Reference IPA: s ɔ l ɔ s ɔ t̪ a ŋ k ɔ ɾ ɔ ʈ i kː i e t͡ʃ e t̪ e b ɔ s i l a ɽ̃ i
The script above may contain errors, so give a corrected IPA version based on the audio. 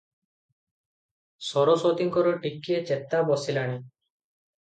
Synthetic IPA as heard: s ɔ ɾ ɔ s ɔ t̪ i ŋ k ɔ ɾ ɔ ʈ i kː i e t͡ʃ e t̪ a b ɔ s i l a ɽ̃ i